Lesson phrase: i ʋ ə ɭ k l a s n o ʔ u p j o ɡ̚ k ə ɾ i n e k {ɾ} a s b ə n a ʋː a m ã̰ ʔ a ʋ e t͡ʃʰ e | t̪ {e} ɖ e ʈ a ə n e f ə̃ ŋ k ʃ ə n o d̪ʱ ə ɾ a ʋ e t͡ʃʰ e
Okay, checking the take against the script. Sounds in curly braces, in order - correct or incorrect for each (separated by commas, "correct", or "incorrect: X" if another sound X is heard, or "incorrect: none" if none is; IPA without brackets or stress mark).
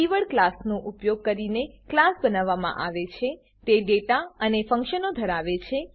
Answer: incorrect: l, correct